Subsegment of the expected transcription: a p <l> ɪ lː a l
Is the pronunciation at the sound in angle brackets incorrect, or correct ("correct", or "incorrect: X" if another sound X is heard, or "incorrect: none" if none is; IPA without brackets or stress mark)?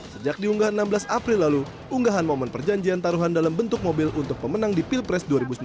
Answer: incorrect: ɾ